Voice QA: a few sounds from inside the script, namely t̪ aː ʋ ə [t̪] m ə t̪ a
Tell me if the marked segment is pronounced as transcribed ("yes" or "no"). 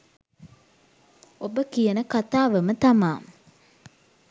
no